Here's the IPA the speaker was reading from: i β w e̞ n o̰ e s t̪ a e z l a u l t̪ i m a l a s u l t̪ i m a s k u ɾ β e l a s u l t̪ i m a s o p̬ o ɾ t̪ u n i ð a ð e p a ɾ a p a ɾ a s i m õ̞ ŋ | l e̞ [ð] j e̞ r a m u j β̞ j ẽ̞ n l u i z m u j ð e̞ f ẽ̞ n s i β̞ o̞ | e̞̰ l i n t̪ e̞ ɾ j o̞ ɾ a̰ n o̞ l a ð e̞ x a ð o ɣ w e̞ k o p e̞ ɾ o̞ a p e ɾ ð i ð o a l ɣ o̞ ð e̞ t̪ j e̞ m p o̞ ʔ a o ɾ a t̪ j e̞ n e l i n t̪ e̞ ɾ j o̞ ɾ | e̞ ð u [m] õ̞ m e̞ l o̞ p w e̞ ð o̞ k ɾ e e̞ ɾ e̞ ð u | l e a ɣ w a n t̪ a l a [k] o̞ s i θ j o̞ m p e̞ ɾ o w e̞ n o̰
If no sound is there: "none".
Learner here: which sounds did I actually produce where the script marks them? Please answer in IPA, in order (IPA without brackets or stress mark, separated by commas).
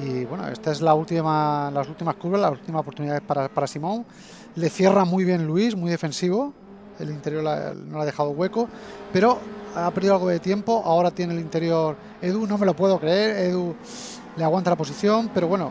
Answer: θ, n, p